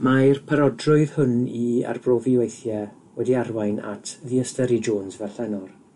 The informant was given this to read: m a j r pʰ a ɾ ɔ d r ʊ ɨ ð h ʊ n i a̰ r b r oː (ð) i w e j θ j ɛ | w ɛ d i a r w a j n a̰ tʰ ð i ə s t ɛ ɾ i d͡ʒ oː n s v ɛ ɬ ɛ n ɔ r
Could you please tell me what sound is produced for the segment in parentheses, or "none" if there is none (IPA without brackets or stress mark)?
v